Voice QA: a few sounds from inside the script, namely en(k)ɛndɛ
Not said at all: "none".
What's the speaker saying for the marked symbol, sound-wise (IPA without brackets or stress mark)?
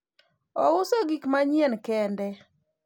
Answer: k